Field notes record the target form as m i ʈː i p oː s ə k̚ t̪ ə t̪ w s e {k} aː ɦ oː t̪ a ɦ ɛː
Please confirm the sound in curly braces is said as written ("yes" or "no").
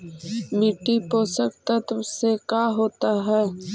yes